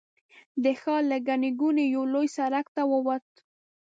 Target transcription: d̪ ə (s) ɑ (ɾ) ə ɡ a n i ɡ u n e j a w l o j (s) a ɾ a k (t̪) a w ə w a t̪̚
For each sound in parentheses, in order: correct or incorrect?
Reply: incorrect, incorrect, correct, correct

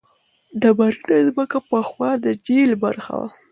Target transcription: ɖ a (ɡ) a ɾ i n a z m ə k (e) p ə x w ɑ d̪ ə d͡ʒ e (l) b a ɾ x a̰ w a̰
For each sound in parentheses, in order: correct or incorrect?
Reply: incorrect, incorrect, correct

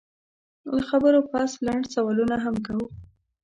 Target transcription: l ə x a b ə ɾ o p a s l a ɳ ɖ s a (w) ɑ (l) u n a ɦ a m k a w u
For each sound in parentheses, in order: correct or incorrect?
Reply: correct, correct

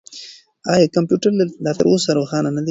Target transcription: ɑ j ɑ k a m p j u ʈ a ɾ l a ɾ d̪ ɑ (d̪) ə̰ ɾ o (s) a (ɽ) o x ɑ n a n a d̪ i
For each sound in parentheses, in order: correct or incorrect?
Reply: incorrect, correct, incorrect

